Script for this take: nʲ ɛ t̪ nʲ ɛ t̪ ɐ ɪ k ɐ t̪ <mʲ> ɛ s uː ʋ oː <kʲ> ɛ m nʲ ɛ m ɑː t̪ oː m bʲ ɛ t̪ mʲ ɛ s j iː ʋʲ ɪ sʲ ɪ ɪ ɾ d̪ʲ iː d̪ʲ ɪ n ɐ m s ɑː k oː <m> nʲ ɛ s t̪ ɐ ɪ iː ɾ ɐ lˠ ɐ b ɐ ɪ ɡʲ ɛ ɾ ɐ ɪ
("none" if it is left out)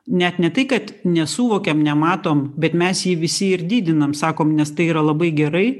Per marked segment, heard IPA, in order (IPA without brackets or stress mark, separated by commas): nʲ, kʲ, m